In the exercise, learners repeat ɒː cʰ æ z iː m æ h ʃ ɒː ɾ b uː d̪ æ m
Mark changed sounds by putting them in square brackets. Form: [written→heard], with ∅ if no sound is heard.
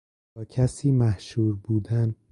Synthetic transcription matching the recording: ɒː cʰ æ [z→s] iː m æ h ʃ [ɒː→uː] ɾ b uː d̪ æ [m→n]